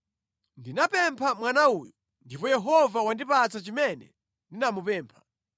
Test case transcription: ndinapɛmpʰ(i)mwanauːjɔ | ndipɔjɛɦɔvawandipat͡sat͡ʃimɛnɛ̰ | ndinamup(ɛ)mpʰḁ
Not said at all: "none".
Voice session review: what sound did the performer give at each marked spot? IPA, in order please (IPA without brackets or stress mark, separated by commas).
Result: a, ɛː